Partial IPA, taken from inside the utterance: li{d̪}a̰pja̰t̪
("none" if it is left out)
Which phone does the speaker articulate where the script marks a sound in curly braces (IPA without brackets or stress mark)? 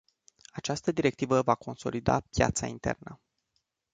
d̪